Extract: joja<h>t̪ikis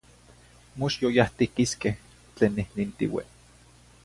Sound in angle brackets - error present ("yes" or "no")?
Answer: no